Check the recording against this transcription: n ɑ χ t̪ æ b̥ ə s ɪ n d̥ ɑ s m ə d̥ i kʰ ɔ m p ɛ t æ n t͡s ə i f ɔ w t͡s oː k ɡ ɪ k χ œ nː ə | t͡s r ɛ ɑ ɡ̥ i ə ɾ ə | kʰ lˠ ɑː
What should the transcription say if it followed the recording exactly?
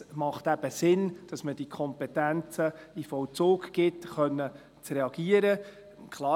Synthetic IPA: m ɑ χ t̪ æ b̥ ə s ɪ n d̥ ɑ s m ə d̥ i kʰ ɔ m p ɛ t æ n t͡s ə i f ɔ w t͡s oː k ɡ ɪ t χ œ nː ə | t͡s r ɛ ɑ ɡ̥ i ə ɾ ə | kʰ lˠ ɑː